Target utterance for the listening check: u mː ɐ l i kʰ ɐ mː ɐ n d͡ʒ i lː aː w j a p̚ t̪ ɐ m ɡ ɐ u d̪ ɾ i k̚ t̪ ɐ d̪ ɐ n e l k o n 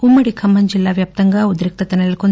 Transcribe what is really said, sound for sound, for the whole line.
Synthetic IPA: u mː ɐ ɽ i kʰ ɐ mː ɐ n d͡ʒ i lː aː ʋ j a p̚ t̪ ɐ ŋ ɡ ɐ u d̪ ɾ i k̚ t̪ ɐ t̪ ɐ n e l k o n